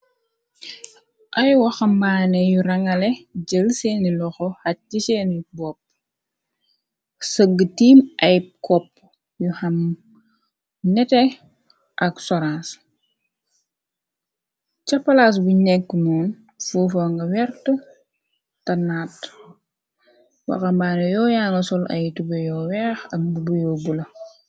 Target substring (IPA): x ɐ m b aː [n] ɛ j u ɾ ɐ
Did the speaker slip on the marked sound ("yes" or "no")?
no